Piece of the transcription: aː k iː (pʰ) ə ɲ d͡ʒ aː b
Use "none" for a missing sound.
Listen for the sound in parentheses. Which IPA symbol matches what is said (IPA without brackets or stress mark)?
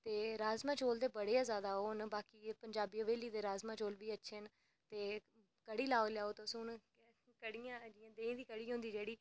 p